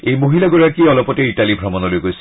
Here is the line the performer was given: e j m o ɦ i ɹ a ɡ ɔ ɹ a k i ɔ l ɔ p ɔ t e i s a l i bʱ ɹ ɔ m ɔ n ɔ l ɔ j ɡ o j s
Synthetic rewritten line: e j m o ɦ i l a ɡ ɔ ɹ a k i ɔ l ɔ p ɔ t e i t a l i bʱ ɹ ɔ m ɔ n ɔ l o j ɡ o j s

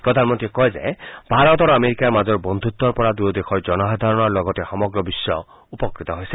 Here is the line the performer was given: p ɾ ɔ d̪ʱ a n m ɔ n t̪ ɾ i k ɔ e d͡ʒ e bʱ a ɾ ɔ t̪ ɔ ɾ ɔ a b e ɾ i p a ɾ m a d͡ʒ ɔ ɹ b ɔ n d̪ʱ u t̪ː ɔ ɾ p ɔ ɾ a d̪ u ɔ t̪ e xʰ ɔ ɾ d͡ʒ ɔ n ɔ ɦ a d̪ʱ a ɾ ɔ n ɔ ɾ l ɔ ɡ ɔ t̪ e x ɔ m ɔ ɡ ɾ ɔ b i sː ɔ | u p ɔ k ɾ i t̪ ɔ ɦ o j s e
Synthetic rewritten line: p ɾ ɔ d̪ʱ a n m ɔ n t̪ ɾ i k ɔ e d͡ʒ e bʱ a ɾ ɔ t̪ ɔ ɾ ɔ a m e ɾ i k a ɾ m a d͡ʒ ɔ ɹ b ɔ n d̪ʱ u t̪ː ɔ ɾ p ɔ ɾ a d̪ u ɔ d̪ e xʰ ɔ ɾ d͡ʒ ɔ n ɔ ɦ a d̪ʱ a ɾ ɔ n ɔ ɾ l ɔ ɡ ɔ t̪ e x ɔ m ɔ ɡ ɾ ɔ b i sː ɔ | u p ɔ k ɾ i t̪ ɔ ɦ o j s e

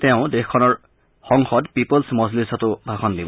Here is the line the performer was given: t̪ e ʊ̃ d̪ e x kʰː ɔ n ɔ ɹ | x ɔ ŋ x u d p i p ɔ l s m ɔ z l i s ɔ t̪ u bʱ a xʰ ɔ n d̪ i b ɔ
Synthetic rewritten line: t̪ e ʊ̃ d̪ e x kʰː ɔ n ɔ ɹ | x ɔ ŋ x ɔ d p i p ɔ l s m ɔ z l i s ɔ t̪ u bʱ a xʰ ɔ n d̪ i b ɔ

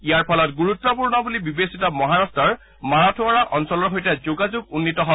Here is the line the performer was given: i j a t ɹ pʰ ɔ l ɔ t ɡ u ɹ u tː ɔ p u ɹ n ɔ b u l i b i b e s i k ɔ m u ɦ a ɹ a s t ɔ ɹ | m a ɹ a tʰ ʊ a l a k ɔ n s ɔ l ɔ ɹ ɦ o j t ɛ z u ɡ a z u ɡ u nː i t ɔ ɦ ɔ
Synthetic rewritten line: i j a ɹ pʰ ɔ l ɔ t ɡ u ɹ u tː ɔ p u ɹ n ɔ b u l i b i b e s i t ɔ m ɔ ɦ a ɹ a s t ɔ ɹ | m a ɹ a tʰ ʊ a ɹ a ʔ ɔ n s ɔ l ɔ ɹ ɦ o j t ɛ z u ɡ a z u ɡ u nː i t ɔ ɦ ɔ

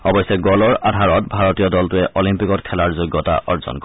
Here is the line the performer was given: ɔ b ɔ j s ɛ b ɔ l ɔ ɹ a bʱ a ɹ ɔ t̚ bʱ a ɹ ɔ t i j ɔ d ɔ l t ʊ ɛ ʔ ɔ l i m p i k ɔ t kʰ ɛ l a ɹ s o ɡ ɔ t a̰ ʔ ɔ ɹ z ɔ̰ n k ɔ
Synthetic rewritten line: ɔ b ɔ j s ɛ ɡ ɔ l ɔ ɹ a dʱ a ɹ ɔ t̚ bʱ a ɹ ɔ t i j ɔ d ɔ l t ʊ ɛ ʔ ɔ l i m p i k ɔ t kʰ ɛ l a ɹ z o ɡ ɔ t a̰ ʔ ɔ ɹ z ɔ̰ n k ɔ

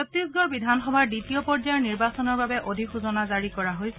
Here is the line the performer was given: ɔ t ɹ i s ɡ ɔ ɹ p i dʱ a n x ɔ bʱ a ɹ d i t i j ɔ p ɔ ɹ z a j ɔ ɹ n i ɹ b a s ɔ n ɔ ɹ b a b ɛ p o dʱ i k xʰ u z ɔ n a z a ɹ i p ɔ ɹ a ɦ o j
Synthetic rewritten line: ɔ t ɹ i s ɡ ɔ ɹ b i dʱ a n x ɔ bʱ a ɹ d i t i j ɔ p ɔ ɹ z a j ɔ ɹ n i ɹ b a s ɔ n ɔ ɹ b a b ɛ ʔ o dʱ i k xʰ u z ɔ n a z a ɹ i k ɔ ɹ a ɦ o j

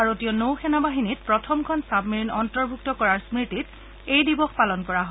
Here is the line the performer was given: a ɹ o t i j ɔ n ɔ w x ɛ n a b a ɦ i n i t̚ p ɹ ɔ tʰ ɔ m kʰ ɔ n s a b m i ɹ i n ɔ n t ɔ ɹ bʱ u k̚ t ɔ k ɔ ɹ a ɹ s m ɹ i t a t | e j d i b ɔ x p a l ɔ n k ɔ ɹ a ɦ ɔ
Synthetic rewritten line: a ɹ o t i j ɔ n o w x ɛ n a b a ɦ i n i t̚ p ɹ ɔ tʰ ɔ m kʰ ɔ n s a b m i ɹ i n ɔ n t ɔ ɹ bʱ u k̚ t ɔ k ɔ ɹ a ɹ s m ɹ i t i t | e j d i b ɔ x p a l ɔ n k ɔ ɹ a ɦ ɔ

